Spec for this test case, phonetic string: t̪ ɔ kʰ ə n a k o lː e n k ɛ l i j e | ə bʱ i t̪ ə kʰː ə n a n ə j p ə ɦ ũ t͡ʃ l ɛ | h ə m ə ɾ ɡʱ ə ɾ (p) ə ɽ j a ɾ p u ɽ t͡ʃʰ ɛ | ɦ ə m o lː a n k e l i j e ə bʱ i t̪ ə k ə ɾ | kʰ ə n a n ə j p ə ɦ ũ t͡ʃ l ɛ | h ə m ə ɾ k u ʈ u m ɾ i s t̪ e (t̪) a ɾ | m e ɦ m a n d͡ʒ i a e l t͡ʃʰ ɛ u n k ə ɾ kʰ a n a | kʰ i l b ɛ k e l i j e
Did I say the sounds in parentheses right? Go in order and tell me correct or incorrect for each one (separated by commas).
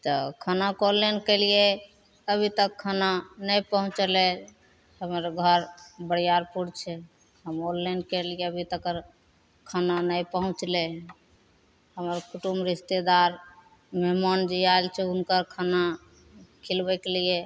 incorrect, incorrect